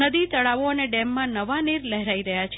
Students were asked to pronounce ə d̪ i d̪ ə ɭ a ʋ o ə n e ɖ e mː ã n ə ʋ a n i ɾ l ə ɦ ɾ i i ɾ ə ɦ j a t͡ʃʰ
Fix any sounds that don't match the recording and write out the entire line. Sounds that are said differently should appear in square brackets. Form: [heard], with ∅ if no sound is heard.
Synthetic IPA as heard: ə d̪ i [t̪] ə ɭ a ʋ o ə n e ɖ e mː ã n ə ʋ a n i ɾ l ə ɦ ɾ [a] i ɾ ə ɦ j a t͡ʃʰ